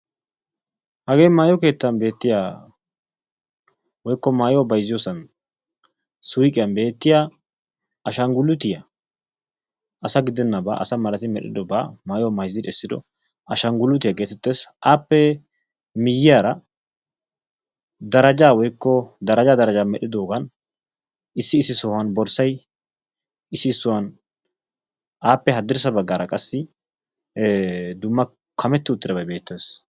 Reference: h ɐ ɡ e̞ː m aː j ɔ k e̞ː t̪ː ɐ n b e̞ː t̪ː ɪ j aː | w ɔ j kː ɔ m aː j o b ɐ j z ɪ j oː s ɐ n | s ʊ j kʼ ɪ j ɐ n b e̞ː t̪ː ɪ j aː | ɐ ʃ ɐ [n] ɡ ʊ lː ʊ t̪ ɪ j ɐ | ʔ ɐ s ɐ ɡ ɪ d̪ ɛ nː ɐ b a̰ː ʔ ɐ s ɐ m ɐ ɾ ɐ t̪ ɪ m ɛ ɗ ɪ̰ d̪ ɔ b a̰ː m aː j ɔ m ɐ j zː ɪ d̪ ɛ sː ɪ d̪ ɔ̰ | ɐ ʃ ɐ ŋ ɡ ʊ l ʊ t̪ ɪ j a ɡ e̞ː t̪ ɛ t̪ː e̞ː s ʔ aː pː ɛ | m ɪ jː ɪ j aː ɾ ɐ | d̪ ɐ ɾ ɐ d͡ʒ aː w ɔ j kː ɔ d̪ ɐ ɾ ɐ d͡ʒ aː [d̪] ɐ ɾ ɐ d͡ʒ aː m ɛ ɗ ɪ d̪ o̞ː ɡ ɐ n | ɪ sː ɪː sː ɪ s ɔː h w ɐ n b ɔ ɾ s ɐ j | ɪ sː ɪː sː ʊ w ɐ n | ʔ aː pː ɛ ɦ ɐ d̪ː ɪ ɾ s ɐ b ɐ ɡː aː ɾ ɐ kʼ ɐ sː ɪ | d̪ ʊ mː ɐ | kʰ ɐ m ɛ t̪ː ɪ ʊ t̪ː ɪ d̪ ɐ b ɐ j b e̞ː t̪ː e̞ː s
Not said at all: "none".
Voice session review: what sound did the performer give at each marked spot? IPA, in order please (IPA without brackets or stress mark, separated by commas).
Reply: ŋ, d̪